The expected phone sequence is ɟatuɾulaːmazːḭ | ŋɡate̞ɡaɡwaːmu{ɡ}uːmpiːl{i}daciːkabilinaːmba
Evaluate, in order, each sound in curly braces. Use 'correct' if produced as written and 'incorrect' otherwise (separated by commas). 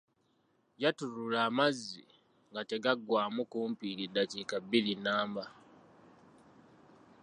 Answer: incorrect, correct